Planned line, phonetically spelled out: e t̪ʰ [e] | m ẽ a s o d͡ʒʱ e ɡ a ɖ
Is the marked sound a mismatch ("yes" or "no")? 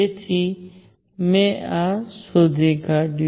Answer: yes